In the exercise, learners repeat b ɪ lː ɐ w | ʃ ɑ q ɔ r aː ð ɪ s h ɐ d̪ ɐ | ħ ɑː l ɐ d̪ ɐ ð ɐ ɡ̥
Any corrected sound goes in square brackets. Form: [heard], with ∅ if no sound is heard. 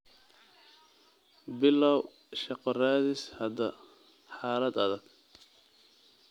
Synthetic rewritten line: b ɪ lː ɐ w | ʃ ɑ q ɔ r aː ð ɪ s h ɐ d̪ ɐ | ħ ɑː l ɐ d̪ ɐ ð ɐ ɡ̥